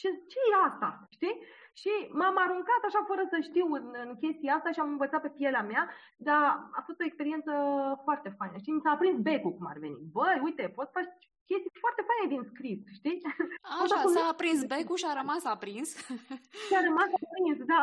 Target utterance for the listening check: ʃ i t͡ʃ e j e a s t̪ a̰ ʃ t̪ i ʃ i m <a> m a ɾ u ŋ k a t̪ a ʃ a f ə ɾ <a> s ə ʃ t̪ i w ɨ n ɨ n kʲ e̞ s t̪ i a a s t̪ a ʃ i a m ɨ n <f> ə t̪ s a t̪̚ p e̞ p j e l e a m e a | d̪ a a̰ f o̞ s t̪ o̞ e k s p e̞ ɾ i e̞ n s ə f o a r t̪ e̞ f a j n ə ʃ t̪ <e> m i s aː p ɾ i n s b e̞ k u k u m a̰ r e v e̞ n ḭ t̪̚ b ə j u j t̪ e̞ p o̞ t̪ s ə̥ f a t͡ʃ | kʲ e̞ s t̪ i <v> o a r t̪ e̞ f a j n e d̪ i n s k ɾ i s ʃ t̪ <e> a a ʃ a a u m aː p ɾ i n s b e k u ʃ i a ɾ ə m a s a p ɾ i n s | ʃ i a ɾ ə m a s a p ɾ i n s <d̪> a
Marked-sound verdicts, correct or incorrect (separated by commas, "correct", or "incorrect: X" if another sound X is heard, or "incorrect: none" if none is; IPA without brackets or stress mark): correct, incorrect: ə, incorrect: v, incorrect: i, incorrect: f, incorrect: i, correct